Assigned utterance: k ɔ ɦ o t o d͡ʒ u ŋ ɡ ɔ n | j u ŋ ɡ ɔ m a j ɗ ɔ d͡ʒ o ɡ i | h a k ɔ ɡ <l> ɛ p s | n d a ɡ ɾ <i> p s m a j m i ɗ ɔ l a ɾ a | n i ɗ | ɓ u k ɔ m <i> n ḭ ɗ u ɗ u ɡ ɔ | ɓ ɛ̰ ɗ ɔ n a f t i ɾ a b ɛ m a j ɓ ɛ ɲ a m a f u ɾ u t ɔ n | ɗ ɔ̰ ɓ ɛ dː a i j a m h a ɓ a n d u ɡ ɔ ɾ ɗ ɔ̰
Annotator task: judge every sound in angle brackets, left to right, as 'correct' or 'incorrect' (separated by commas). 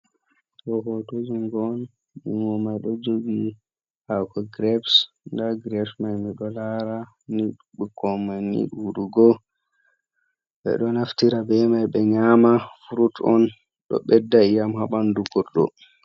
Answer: incorrect, incorrect, incorrect